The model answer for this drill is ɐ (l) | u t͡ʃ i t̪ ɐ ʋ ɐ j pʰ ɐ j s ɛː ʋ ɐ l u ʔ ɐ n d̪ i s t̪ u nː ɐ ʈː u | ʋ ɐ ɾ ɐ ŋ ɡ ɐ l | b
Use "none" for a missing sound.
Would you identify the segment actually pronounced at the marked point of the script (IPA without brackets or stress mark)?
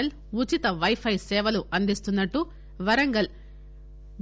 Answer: l